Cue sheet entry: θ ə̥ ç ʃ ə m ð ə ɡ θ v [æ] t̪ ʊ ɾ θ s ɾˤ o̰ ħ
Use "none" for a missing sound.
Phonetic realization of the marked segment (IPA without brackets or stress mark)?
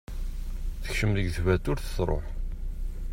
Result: æ